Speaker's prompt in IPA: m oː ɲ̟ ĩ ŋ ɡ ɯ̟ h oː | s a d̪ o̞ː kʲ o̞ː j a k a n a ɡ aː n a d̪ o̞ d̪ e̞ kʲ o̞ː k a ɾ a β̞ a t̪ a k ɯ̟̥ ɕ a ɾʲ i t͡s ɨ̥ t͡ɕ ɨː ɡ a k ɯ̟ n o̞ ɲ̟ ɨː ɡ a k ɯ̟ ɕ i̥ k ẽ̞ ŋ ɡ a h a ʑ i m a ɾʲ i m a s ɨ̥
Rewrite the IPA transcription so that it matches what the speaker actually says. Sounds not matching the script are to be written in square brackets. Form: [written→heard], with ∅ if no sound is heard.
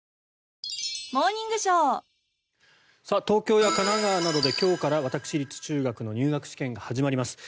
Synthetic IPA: m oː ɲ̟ ĩ ŋ ɡ ɯ̟ [h→ɕ] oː | s a [d̪→t̪] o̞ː kʲ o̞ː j a k a n a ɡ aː n a d̪ o̞ d̪ e̞ kʲ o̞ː k a ɾ a β̞ a t̪ a k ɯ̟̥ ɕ [a→i] ɾʲ i t͡s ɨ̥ t͡ɕ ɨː ɡ a k ɯ̟ n o̞ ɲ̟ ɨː ɡ a k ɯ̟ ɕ i̥ k ẽ̞ ŋ ɡ a h a ʑ i m a ɾʲ i m a s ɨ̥